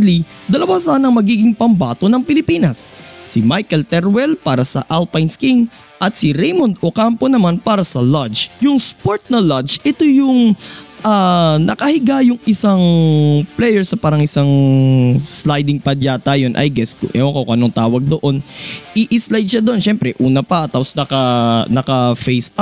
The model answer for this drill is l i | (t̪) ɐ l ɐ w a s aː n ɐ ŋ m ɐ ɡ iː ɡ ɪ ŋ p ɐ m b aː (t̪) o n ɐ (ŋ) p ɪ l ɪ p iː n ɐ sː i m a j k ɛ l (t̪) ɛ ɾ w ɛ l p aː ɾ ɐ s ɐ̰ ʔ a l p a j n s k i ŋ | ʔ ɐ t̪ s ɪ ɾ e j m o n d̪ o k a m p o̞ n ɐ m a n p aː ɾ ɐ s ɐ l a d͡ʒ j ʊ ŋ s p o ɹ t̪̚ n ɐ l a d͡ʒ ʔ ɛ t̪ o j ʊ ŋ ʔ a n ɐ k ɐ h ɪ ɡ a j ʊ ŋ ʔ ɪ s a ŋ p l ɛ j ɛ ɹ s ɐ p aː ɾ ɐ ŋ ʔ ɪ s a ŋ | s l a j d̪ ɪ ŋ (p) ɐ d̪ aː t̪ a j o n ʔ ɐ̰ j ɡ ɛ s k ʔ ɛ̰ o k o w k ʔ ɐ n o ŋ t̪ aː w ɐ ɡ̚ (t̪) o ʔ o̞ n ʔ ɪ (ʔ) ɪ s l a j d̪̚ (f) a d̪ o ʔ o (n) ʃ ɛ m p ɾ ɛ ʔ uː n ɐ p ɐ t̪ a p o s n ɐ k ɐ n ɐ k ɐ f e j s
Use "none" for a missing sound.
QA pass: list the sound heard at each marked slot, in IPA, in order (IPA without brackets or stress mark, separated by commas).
d̪, t̪, ŋ, t̪, p, d̪, ʔ, ʃ, n